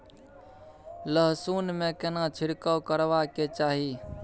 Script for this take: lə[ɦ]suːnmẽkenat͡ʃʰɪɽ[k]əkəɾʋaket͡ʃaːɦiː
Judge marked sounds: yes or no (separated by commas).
yes, yes